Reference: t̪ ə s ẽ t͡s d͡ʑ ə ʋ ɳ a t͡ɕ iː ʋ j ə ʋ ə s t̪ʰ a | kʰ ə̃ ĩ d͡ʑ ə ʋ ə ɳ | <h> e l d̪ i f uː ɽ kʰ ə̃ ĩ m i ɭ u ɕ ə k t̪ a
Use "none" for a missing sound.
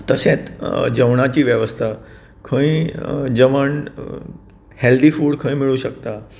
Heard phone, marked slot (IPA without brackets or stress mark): h